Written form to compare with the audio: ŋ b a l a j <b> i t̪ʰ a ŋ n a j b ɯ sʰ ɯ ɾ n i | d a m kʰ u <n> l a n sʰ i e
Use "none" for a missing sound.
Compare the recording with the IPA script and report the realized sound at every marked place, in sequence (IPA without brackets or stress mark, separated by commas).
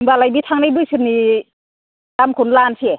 b, n